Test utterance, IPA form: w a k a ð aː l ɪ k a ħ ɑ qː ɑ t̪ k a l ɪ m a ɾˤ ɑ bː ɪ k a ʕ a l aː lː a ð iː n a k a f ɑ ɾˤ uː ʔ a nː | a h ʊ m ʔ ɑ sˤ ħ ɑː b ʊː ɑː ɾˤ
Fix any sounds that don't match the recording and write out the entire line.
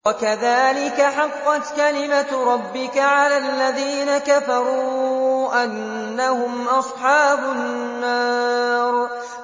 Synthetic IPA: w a k a ð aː l ɪ k a ħ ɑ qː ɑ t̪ k a l ɪ m a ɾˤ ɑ bː ɪ k a ʕ a l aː lː a ð iː n a k a f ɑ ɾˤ uː ʔ a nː | a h ʊ m ʔ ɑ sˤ ħ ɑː b ʊː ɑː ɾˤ